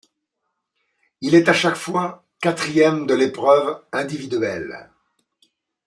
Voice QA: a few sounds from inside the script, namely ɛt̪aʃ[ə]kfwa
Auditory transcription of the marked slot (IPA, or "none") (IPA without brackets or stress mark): a